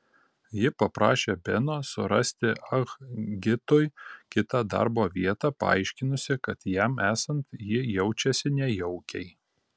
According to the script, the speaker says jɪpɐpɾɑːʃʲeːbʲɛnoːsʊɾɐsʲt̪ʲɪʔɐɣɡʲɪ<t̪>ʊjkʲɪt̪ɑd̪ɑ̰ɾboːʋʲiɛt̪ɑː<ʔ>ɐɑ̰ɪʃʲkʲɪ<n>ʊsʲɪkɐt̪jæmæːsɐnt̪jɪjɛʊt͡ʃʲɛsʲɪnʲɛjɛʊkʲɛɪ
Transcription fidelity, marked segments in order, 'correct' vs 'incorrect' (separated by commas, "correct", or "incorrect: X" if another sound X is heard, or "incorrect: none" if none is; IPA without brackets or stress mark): correct, incorrect: p, correct